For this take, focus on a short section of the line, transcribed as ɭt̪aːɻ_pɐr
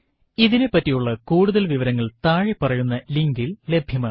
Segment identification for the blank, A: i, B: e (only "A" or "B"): A